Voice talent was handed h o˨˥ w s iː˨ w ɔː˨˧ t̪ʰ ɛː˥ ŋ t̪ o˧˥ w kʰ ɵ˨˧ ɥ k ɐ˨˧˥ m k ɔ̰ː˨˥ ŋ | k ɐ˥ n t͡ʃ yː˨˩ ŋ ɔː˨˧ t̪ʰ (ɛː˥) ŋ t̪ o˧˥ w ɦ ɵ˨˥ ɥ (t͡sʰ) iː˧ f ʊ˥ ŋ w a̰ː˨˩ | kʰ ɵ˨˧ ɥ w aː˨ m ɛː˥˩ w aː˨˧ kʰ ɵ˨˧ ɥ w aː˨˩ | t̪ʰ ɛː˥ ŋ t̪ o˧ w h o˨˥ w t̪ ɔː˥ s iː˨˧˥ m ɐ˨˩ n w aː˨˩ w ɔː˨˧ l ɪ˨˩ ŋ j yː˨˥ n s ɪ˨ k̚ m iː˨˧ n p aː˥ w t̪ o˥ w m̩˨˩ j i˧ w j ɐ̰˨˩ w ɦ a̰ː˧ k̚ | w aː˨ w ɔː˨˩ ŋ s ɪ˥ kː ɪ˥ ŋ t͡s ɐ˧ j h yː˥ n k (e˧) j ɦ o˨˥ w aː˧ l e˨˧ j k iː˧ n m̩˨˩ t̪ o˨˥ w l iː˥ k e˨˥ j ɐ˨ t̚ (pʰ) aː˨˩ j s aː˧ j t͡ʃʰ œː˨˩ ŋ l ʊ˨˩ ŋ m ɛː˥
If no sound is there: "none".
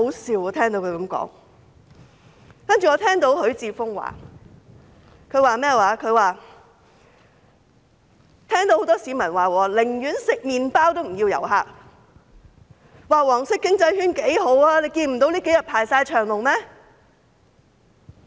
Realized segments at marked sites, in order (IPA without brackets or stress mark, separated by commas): ɛː˥, t͡s, e˨˥, pʰ